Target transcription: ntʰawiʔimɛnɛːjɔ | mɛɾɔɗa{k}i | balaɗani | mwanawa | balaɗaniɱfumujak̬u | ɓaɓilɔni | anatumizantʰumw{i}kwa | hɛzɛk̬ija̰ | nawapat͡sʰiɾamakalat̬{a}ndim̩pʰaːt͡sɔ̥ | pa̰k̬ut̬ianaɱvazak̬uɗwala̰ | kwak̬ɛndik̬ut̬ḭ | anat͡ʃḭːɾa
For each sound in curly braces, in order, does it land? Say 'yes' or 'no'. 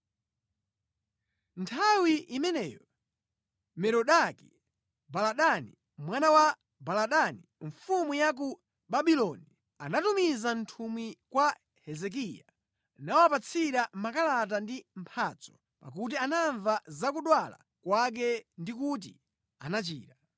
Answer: yes, yes, yes

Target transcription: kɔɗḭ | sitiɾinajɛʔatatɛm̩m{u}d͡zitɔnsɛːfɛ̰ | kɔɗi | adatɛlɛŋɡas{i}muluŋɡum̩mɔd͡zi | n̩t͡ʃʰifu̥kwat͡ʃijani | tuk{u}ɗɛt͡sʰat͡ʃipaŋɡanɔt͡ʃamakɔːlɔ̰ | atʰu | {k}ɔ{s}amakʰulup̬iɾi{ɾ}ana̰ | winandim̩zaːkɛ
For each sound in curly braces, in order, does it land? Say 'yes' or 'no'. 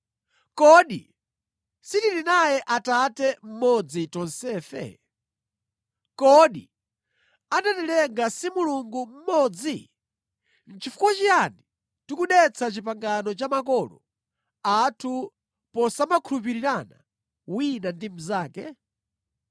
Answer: no, yes, yes, no, yes, yes

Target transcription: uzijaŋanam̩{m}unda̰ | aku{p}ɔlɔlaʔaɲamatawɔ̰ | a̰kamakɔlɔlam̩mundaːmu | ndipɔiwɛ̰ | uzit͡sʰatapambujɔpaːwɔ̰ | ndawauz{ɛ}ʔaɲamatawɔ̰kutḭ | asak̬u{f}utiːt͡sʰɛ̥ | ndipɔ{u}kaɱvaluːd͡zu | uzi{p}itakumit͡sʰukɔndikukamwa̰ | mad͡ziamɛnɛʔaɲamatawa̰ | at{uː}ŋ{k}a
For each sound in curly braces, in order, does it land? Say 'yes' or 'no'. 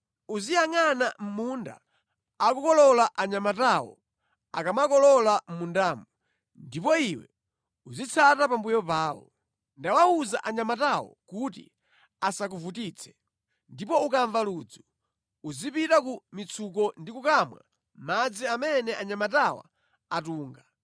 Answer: yes, no, no, no, yes, yes, yes, no

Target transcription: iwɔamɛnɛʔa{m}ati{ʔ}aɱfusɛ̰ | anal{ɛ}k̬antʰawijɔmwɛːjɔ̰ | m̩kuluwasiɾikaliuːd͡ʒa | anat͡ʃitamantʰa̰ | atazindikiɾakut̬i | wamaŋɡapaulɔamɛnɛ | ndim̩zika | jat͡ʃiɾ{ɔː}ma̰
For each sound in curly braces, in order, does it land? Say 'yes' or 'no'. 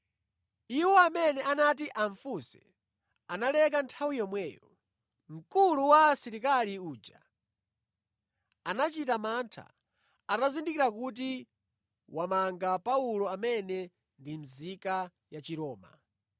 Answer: no, yes, yes, yes

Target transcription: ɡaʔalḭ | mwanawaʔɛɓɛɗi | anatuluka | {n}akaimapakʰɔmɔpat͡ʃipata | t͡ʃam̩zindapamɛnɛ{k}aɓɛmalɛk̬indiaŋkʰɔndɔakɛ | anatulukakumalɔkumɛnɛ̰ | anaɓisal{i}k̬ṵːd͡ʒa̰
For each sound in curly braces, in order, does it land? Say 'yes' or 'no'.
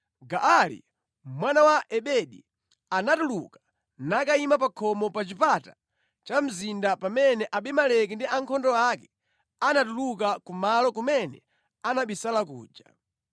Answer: yes, no, no

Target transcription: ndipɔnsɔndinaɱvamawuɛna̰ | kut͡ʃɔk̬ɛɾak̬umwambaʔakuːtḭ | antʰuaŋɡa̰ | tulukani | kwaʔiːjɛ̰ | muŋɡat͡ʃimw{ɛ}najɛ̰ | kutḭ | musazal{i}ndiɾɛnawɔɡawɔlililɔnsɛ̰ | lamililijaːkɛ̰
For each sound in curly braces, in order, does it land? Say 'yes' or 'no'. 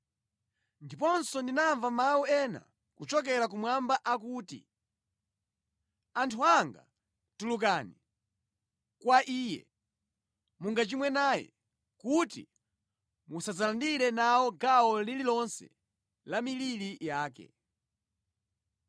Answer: yes, no

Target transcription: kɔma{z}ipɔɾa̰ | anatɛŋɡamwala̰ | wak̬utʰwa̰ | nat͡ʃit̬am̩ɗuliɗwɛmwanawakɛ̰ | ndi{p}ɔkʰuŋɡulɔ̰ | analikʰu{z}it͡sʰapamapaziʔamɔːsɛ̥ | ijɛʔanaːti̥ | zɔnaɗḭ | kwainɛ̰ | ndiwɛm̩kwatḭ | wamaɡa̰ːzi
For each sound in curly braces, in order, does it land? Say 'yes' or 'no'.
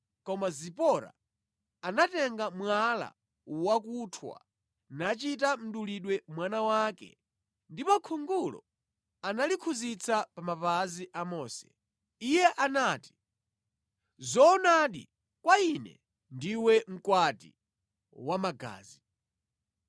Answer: yes, yes, yes

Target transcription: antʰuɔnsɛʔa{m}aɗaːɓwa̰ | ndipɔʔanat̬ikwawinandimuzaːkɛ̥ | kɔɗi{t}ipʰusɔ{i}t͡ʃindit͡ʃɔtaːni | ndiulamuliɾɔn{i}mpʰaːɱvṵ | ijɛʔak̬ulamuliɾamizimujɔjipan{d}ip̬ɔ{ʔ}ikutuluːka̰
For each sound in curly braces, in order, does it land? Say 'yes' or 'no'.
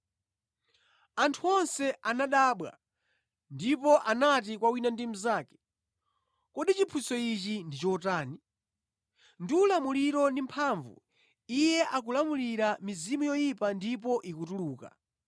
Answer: no, no, yes, yes, yes, yes

